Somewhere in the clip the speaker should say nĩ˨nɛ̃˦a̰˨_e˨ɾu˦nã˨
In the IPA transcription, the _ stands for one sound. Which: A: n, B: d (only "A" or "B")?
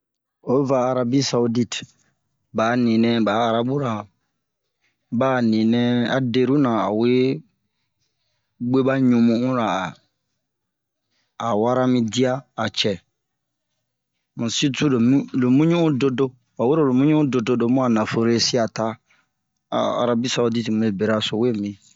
B